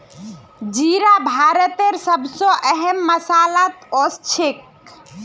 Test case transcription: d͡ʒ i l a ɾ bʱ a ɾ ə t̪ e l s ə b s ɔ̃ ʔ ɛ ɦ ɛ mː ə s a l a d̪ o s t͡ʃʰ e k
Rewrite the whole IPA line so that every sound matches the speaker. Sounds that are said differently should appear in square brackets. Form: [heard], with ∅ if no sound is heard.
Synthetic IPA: d͡ʒ i [ɾ] a [∅] bʱ a ɾ ə t̪ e [ɾ] s ə b s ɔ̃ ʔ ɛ ɦ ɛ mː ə s a l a [t̪] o s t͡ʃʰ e k